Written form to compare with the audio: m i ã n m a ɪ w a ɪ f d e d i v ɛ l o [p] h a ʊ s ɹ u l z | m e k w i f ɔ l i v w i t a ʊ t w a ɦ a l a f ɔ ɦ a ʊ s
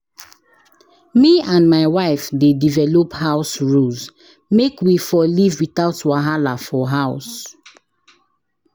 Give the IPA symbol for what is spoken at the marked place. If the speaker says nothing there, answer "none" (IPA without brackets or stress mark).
p